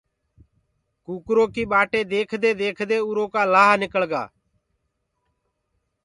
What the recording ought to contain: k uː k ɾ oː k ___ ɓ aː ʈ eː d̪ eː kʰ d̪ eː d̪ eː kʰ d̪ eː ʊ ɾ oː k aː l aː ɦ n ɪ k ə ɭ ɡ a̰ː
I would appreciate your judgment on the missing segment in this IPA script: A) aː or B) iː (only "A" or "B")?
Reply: B